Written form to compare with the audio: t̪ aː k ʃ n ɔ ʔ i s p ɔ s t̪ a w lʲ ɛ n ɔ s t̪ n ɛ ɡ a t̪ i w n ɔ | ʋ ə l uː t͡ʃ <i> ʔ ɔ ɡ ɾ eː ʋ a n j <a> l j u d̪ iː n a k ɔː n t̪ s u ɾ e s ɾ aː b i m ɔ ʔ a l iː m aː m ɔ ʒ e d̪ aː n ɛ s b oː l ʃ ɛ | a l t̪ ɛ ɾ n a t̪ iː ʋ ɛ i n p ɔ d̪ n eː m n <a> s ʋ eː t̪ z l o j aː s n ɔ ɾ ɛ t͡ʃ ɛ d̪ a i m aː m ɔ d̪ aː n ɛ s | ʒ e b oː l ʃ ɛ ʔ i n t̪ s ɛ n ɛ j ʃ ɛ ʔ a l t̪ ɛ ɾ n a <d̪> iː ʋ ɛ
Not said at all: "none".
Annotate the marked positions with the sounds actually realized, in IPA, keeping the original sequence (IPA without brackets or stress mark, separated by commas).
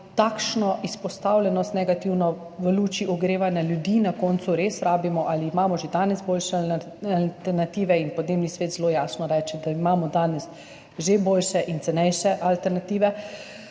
i, a, i, t̪